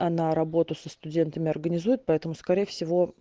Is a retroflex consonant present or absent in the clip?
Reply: absent